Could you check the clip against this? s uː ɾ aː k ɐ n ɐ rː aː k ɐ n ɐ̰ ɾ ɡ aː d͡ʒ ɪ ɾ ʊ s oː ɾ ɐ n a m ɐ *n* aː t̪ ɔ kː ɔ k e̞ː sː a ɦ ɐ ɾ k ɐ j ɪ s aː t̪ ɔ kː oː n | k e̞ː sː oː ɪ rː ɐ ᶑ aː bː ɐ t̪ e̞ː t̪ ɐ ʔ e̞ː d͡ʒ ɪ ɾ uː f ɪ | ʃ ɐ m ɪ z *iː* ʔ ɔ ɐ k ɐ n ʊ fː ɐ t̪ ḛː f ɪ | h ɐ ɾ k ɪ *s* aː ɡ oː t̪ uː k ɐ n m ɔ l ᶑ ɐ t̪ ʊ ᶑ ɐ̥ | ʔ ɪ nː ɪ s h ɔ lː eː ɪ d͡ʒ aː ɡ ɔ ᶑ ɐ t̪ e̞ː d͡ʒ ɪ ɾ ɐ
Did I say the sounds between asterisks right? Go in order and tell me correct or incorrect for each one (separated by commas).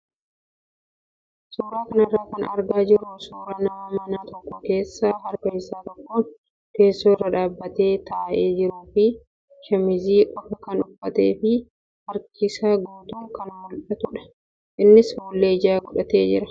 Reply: correct, correct, correct